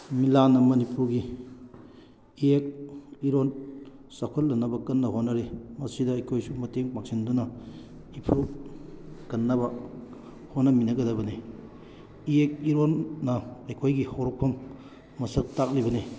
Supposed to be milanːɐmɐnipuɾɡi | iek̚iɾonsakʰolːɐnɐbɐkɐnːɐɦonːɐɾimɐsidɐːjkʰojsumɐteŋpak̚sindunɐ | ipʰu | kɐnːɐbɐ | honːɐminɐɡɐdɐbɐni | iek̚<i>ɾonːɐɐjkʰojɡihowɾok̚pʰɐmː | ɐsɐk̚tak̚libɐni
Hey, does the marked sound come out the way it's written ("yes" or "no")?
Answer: yes